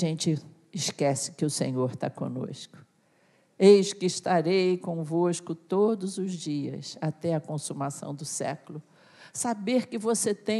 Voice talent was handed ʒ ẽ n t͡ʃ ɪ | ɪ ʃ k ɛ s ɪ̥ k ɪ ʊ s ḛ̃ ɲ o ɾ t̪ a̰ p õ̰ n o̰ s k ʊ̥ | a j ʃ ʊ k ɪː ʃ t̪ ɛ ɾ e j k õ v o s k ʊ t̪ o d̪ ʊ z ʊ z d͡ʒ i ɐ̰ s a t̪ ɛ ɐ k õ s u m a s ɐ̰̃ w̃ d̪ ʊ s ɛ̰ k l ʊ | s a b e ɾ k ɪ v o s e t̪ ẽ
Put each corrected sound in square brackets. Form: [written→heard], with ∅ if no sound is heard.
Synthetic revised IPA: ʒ ẽ n t͡ʃ ɪ | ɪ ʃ k ɛ s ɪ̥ k ɪ ʊ s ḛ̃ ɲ o ɾ t̪ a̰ [p→k] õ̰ n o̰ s k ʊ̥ | [a→e] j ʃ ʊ k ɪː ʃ t̪ [ɛ→a] ɾ e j k õ v o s k ʊ t̪ o d̪ ʊ z ʊ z d͡ʒ i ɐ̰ s a t̪ ɛ ɐ k õ s u m a s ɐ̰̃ w̃ d̪ ʊ s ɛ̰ k l ʊ | s a b e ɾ k ɪ v o s e t̪ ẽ